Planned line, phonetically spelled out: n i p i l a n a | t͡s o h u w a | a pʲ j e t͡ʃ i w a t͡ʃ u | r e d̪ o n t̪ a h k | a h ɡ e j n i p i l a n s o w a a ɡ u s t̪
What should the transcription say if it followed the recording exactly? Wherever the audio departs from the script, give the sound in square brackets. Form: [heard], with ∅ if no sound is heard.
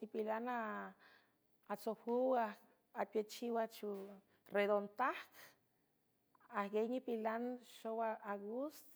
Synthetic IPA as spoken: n i p i l a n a | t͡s o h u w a | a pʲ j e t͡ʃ i w a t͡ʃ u | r e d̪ o n t̪ a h k | a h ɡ e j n i p i l a n [ʃ] o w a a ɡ u s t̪